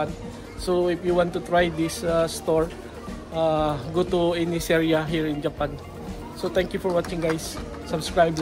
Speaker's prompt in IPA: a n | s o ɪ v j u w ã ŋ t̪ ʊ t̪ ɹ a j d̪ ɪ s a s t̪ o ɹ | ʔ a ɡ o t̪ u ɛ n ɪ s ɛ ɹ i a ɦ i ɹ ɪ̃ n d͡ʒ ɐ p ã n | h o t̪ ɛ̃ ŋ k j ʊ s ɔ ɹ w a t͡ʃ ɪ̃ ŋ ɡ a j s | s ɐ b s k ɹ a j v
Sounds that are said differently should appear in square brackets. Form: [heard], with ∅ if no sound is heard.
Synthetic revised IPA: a n | s o ɪ [f] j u w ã [n] t̪ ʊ t̪ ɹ a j d̪ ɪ s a s t̪ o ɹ | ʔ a ɡ o t̪ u ɛ n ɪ s ɛ ɹ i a ɦ i ɹ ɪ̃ n d͡ʒ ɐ p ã n | [s] o t̪ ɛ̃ ŋ k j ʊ [f] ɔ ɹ w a t͡ʃ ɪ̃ ŋ ɡ a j s | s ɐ b s k ɹ a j [b]